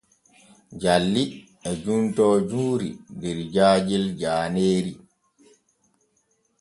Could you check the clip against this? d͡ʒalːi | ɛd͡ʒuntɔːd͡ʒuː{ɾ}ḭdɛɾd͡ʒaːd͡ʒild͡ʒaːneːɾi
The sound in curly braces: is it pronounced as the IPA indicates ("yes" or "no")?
yes